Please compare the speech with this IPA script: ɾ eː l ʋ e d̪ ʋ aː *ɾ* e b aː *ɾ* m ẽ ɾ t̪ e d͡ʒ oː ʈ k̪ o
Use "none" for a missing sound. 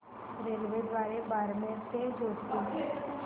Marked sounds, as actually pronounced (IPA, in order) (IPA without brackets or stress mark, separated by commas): ɾ, ɾ